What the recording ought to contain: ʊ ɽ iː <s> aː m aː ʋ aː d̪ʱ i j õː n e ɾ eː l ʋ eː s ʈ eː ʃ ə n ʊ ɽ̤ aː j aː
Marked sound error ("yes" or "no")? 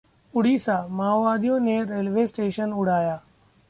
no